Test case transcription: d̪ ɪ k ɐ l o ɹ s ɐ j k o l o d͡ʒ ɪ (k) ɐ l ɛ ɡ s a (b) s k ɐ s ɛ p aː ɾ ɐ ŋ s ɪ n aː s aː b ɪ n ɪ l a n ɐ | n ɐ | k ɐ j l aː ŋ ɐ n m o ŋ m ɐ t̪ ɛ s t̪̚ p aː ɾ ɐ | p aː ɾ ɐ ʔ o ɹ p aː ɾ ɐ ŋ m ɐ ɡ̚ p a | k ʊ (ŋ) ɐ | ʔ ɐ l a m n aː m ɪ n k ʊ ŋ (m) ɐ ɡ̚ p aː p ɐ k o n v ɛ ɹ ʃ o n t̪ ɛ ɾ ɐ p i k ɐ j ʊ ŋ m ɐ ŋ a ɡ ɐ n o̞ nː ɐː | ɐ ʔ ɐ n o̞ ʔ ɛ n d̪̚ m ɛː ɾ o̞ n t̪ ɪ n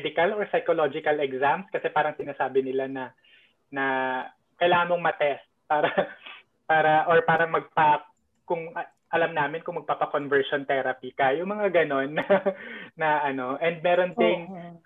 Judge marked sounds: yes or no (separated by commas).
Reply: yes, no, yes, yes